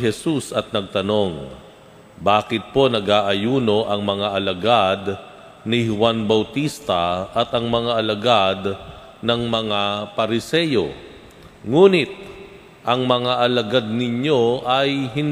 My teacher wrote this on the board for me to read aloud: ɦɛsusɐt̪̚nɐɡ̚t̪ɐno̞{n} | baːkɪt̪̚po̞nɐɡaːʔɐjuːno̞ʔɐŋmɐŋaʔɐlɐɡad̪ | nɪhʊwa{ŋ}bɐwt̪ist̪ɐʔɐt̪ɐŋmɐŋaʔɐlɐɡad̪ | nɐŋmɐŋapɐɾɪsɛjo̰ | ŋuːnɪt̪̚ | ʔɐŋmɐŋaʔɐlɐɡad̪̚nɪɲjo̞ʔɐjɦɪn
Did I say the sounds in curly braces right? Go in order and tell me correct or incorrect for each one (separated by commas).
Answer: incorrect, incorrect